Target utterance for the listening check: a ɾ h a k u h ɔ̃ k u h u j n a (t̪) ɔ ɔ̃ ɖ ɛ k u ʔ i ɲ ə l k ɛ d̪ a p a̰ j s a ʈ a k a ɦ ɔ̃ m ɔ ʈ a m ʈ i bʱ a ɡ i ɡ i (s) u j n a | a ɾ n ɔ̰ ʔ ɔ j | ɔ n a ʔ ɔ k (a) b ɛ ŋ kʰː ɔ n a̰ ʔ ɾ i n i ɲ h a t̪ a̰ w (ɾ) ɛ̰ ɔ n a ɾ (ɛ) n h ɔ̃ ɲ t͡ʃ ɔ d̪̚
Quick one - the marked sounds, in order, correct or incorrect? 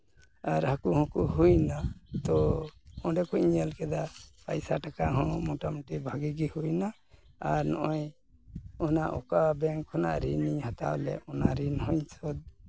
correct, incorrect, correct, incorrect, incorrect

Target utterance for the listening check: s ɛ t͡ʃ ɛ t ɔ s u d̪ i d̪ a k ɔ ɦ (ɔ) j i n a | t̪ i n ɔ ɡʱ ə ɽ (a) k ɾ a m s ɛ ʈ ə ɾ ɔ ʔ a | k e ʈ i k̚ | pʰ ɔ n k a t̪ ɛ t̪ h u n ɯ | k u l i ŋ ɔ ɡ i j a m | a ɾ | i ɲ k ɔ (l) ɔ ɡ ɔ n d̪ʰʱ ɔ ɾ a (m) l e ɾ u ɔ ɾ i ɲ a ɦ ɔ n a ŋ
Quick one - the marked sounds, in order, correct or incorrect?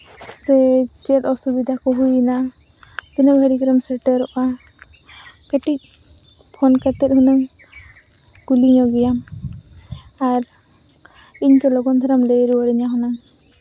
incorrect, incorrect, correct, correct

